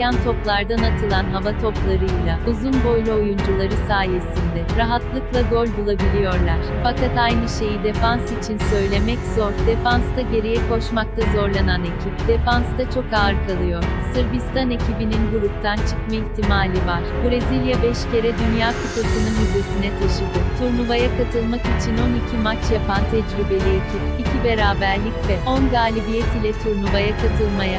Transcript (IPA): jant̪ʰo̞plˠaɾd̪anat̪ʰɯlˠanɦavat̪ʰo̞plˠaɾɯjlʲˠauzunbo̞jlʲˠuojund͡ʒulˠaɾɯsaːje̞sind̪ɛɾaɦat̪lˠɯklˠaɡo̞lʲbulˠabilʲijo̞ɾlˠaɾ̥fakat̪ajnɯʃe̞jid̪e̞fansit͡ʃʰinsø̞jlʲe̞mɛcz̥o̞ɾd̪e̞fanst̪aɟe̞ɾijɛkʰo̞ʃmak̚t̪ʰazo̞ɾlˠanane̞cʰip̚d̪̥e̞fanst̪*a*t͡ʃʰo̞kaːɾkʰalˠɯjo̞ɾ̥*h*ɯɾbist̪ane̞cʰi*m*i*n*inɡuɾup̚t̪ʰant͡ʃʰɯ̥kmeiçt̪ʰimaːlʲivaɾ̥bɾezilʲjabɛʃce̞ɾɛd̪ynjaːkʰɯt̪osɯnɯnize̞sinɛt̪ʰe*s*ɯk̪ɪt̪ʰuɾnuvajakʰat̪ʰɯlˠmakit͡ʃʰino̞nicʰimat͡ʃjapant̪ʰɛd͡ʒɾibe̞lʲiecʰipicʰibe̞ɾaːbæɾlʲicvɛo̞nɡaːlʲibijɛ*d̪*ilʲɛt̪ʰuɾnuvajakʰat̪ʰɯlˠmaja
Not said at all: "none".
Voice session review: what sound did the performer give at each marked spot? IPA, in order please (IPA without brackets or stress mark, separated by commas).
a, s, b, n, ʃ, t̪